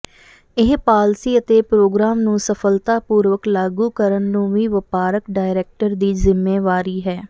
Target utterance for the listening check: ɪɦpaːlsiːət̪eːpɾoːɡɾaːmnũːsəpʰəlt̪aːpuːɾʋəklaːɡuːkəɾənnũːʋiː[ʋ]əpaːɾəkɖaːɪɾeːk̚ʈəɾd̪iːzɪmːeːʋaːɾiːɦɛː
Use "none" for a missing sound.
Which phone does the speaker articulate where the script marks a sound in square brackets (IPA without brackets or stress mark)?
ʋ